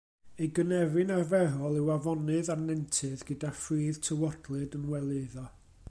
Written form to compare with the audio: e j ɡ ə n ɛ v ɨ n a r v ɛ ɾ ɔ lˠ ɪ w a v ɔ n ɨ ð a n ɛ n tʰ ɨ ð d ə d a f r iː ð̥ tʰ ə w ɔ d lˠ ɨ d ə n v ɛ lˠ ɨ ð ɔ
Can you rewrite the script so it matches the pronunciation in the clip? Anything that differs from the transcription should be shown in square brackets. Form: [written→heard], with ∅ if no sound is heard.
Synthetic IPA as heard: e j ɡ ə n ɛ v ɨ n a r v ɛ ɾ ɔ lˠ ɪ w a v ɔ n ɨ ð a n ɛ n tʰ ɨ ð [d→ɡ] ə d a f r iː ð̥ tʰ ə w ɔ d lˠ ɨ d ə n [v→w] ɛ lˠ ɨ ð ɔ